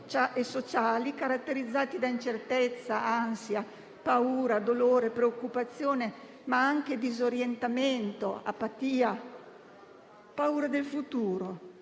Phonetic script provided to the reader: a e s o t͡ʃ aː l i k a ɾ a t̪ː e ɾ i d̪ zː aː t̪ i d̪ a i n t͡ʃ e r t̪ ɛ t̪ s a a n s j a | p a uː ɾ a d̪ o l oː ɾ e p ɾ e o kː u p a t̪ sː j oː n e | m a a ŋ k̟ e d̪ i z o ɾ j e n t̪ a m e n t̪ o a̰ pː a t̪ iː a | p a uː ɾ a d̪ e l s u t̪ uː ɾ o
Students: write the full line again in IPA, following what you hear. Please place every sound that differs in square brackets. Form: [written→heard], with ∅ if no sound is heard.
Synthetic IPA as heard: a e s o t͡ʃ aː l i k a ɾ a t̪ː e ɾ i d̪ zː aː t̪ i d̪ a i n t͡ʃ e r t̪ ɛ t̪ [s→sː] a a n s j a | p a uː ɾ a d̪ o l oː ɾ e p ɾ e o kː u p a t̪ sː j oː n e | m a a ŋ k̟ e d̪ i z o ɾ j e n t̪ a m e n t̪ o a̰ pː a t̪ iː a | p a uː ɾ a d̪ e l [s→f] u t̪ uː ɾ o